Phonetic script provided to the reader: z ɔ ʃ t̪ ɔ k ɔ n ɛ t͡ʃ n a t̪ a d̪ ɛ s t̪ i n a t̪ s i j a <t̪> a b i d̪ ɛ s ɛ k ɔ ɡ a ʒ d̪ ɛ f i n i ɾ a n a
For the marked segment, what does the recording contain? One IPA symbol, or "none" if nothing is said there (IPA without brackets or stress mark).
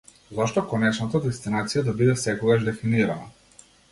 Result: d̪